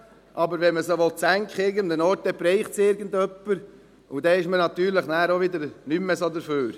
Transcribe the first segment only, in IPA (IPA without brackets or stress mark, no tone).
ʔ